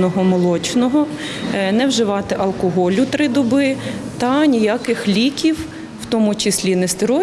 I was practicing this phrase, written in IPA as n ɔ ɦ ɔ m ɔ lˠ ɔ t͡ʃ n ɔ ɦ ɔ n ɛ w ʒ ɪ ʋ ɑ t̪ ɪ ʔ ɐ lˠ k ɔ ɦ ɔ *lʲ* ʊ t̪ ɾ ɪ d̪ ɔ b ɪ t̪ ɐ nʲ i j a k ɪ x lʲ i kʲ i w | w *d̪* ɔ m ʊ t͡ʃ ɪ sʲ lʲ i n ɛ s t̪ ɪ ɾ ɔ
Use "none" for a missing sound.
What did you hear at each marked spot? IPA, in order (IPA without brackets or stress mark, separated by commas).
lʲ, t̪